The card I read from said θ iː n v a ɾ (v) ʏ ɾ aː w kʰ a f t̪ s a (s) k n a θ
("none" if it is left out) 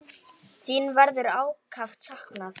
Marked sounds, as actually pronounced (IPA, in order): ð, h

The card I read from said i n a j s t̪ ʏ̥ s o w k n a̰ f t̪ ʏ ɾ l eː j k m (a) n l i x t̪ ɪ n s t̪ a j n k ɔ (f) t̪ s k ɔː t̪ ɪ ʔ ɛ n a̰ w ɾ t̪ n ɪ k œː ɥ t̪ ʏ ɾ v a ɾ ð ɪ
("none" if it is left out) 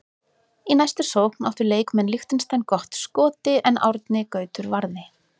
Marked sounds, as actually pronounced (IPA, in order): ɛ, h

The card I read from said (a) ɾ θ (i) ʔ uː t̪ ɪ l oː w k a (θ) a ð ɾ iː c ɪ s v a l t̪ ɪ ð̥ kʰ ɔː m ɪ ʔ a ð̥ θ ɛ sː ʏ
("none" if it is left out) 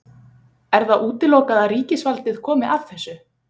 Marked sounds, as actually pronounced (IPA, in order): ɛ, a, ð

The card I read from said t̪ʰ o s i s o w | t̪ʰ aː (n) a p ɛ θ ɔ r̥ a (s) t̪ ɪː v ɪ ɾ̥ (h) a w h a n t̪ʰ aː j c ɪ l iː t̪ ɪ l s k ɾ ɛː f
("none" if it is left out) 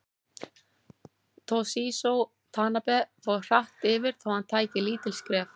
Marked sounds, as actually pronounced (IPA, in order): n, h, θ

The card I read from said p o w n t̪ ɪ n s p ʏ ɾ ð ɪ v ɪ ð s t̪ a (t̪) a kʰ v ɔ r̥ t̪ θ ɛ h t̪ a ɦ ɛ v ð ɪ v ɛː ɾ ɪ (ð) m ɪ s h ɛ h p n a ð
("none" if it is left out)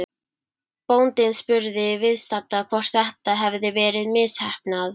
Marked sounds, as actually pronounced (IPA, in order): t̪, ð

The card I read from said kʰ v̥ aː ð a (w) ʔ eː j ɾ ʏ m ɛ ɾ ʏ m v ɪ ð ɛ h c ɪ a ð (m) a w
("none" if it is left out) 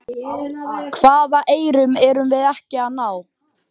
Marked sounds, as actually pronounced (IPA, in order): none, n

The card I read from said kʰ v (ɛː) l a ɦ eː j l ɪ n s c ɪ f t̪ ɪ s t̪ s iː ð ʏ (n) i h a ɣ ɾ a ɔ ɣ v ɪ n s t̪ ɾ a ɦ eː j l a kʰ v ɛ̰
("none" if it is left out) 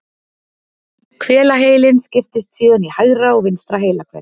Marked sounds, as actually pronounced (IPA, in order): ɛː, n

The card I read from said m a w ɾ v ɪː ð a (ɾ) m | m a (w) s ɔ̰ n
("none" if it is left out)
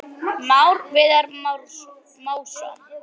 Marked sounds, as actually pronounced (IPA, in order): ɾ, w

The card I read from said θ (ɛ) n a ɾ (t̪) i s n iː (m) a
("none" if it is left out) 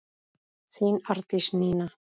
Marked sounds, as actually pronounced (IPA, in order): i, t̪, n

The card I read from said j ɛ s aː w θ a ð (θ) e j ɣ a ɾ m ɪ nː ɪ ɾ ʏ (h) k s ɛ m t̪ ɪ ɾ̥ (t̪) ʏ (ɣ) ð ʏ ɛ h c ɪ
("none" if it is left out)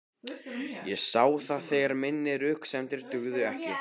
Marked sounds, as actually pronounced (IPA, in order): θ, h, t̪, ɣ

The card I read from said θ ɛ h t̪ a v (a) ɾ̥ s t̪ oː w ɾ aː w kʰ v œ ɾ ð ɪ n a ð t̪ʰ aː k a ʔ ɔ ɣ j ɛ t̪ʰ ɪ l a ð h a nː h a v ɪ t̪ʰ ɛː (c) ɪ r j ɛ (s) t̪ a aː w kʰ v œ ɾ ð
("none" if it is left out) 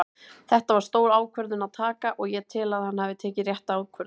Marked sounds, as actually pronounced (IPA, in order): a, c, h

